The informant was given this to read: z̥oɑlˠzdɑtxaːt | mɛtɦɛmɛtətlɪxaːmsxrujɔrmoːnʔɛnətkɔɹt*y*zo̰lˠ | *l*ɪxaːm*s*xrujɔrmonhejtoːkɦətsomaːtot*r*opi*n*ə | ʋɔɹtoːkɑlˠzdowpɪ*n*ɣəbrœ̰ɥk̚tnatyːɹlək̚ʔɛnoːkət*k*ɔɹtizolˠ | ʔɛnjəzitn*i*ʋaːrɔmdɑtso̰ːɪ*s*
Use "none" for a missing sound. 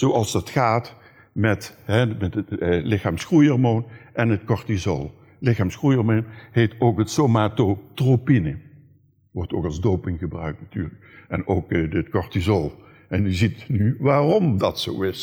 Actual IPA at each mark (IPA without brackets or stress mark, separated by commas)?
i, l, s, r, n, ŋ, k, y, s